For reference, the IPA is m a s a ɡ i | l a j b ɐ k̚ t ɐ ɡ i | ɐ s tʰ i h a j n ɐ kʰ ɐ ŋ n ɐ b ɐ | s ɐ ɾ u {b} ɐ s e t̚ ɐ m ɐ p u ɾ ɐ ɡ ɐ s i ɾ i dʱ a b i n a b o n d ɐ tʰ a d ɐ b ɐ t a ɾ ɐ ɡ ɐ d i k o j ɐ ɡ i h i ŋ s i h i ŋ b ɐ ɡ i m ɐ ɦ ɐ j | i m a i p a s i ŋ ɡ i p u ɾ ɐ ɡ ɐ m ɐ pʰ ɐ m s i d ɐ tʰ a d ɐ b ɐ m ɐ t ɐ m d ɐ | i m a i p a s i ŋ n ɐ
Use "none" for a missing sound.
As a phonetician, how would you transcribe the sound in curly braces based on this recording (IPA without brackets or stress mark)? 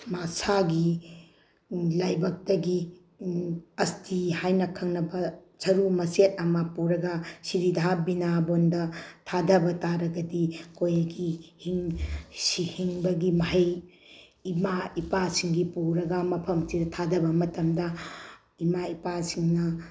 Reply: m